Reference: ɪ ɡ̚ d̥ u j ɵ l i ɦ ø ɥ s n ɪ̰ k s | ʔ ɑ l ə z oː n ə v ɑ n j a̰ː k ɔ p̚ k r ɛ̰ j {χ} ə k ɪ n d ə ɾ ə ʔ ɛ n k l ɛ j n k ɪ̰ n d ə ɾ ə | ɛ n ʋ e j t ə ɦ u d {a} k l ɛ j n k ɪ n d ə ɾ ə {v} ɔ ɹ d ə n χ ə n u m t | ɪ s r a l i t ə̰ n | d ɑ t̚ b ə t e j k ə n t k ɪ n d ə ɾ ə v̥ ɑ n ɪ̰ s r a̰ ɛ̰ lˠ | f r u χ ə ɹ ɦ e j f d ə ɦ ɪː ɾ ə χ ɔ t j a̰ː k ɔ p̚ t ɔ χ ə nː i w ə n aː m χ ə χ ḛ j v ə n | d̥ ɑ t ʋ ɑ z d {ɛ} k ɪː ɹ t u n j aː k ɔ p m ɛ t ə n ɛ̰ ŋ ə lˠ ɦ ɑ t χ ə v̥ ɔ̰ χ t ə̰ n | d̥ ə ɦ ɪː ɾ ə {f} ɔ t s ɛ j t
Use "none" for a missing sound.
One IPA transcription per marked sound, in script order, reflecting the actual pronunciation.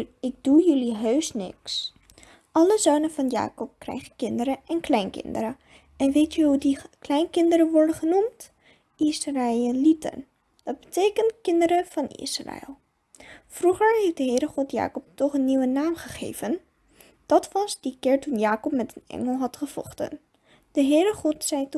χ, i, ʋ, i, χ

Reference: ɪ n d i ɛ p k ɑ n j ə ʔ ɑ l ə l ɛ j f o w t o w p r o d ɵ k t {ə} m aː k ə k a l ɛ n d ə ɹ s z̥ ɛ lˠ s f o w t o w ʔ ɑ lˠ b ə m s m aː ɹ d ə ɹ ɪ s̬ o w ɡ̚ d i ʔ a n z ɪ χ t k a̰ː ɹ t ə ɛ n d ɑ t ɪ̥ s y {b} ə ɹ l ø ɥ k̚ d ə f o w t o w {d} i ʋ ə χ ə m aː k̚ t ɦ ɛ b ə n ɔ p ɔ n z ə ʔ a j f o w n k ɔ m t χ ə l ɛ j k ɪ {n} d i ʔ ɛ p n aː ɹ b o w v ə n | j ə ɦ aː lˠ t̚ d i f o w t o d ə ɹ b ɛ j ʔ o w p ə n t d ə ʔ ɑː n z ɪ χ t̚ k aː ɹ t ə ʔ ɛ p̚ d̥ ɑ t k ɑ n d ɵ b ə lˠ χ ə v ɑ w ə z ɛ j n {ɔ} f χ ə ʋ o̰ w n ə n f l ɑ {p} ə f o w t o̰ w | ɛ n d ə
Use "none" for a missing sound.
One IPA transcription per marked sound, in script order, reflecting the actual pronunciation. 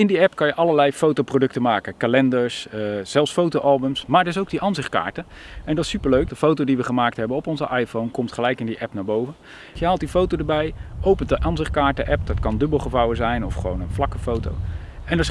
ə, p, d, n, ɔ, k

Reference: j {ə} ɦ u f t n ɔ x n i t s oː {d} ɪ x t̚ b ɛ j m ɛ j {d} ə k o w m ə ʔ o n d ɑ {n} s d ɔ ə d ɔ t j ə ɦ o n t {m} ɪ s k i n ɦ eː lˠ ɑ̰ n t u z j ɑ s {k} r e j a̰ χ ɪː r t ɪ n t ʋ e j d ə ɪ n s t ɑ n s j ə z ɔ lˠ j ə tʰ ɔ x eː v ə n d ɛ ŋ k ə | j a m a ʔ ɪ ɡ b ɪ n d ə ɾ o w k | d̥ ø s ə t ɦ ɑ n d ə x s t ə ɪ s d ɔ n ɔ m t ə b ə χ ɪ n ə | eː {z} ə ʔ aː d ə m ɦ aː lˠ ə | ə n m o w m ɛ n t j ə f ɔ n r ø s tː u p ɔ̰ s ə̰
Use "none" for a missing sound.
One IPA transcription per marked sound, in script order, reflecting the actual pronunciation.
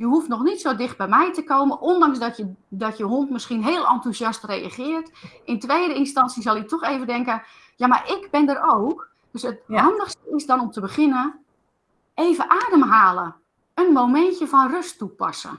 ə, d, t, ŋ, m, t, v

